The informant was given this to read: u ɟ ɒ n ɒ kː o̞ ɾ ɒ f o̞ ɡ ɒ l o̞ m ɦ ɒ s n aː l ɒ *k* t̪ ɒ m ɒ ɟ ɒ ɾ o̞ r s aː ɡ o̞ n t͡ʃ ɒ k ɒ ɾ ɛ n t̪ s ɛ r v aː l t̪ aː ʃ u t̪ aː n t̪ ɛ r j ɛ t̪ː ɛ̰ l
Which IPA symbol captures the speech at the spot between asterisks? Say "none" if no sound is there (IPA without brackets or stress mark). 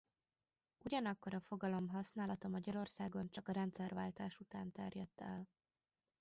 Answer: none